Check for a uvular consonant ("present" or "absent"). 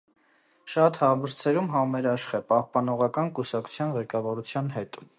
present